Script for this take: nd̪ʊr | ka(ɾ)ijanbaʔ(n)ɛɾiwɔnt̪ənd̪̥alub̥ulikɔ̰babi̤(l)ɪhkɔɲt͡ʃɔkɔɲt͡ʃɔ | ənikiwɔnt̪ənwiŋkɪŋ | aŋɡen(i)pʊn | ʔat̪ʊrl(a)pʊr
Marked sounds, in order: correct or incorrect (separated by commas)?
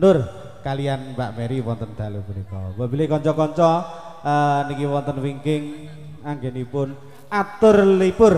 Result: incorrect, incorrect, correct, correct, incorrect